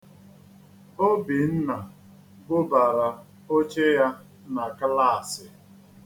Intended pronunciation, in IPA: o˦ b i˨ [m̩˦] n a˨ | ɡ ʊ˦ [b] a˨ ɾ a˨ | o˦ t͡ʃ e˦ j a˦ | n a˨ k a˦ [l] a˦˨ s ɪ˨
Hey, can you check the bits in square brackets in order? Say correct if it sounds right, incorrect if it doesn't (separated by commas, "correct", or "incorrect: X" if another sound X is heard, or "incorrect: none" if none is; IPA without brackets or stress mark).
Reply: incorrect: n̩˦, correct, correct